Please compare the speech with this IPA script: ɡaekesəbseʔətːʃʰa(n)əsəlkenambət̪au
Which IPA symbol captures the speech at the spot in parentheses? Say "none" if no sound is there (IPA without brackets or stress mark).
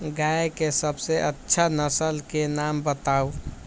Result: n